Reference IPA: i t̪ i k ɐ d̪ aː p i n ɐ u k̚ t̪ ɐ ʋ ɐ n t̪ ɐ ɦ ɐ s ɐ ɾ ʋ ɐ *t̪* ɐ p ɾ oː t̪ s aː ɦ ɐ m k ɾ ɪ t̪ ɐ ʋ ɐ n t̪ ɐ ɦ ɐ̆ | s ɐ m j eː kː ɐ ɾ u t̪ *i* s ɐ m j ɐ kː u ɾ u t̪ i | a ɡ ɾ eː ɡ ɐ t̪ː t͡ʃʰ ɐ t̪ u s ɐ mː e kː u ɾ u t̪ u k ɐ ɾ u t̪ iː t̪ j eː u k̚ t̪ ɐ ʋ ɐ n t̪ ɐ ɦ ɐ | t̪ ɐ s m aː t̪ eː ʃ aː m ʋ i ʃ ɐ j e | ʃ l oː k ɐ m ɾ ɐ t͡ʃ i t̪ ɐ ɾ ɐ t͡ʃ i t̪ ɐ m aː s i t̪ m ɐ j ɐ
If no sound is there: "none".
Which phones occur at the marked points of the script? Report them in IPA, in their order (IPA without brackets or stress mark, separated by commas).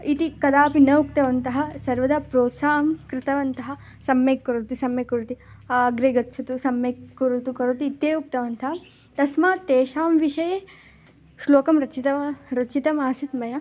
d̪, i